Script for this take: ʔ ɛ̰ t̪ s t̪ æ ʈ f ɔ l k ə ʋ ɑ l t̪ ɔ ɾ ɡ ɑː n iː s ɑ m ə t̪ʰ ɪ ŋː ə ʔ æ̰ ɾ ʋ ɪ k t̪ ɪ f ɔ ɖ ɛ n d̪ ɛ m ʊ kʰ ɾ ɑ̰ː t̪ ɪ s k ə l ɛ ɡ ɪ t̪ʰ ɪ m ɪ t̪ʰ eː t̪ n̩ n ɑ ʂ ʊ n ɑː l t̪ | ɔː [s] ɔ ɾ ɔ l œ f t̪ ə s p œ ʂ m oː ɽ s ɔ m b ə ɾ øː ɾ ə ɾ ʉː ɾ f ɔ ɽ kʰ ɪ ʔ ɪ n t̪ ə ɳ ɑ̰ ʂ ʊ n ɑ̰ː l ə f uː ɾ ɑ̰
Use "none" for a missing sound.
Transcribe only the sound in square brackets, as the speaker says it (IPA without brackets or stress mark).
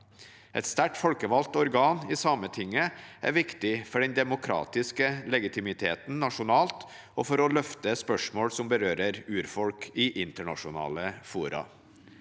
f